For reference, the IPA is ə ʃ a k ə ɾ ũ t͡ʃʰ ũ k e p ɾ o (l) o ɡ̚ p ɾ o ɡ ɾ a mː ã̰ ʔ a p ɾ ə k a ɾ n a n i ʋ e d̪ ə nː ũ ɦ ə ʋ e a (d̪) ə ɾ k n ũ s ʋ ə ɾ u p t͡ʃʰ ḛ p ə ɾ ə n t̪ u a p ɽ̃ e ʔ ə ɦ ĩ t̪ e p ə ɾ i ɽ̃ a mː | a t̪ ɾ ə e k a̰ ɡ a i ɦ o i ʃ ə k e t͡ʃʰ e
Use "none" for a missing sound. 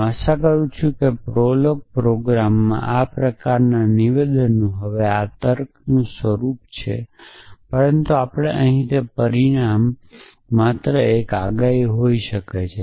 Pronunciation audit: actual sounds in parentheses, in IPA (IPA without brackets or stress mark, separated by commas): l, t̪